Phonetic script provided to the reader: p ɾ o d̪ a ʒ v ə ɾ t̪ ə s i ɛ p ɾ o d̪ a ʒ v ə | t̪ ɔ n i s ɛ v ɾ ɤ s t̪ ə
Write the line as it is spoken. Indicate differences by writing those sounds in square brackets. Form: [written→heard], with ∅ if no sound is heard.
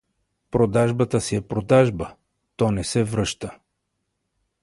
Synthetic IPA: p ɾ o d̪ a ʒ [v→b] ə [ɾ→∅] t̪ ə s i ɛ p ɾ o d̪ a ʒ [v→b] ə | t̪ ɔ n [i→ɛ] s ɛ v ɾ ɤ [s→ʃ] t̪ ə